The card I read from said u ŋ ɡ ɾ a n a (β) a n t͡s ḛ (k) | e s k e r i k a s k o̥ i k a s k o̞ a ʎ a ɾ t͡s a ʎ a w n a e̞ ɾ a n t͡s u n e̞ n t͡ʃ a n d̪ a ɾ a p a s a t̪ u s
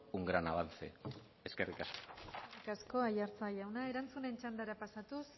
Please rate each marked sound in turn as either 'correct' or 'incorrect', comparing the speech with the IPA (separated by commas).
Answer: correct, incorrect